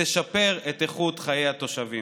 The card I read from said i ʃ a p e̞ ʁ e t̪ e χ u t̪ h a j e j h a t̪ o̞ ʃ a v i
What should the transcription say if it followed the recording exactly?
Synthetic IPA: e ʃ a p e̞ ʁ e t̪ e χ u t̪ χ a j e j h a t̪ o̞ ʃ a v i